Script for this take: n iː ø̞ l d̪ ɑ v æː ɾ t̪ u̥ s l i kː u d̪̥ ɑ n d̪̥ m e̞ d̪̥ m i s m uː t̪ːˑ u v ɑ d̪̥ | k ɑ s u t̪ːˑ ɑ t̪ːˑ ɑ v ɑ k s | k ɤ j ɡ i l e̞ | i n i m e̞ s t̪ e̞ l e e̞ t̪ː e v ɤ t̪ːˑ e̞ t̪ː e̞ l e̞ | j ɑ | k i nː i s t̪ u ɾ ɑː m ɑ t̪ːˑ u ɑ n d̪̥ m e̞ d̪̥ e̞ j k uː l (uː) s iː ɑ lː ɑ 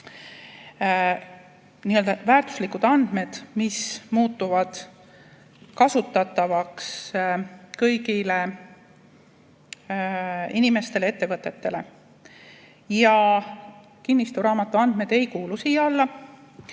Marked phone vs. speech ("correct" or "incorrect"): incorrect